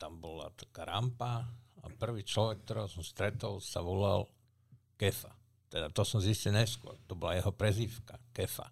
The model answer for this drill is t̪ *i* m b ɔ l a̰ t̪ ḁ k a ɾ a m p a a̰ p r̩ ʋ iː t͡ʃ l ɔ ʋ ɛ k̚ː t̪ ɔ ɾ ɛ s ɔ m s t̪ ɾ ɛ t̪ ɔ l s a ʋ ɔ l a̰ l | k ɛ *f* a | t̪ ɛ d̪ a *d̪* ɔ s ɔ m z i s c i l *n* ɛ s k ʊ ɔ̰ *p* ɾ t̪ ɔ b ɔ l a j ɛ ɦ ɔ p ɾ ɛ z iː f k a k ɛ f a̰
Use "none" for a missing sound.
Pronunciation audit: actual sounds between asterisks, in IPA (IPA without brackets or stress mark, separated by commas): a, f, t̪, ɲ, none